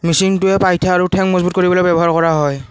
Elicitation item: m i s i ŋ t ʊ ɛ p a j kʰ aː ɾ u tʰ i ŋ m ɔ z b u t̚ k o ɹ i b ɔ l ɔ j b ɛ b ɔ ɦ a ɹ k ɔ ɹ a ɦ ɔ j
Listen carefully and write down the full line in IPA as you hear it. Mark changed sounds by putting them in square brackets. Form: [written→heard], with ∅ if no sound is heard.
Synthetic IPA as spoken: m i s i ŋ t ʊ ɛ p a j [kʰ→tʰ] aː [ɾ→ɹ] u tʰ [i→ɛ] ŋ m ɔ z b u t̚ k o ɹ i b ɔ l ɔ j b ɛ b ɔ ɦ a ɹ k ɔ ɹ a ɦ ɔ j